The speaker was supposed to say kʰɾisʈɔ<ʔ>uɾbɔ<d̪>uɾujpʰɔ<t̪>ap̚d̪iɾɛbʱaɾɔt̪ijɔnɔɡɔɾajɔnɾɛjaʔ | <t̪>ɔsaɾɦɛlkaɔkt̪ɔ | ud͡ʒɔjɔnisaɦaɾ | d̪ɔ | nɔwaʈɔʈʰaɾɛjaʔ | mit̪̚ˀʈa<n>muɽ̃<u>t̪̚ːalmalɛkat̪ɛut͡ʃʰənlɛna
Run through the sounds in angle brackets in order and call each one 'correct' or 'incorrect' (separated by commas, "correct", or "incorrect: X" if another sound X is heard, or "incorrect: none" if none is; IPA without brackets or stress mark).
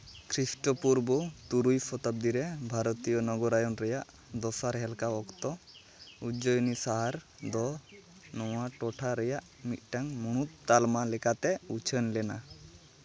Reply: incorrect: p, incorrect: t̪, correct, incorrect: d̪, incorrect: ŋ, correct